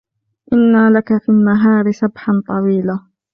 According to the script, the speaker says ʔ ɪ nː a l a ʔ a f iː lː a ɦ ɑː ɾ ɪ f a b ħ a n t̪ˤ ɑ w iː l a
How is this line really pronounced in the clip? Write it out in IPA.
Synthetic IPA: ʔ ɪ nː a l a k a f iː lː a ɦ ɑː ɾ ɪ s a b ħ a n t̪ˤ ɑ w iː l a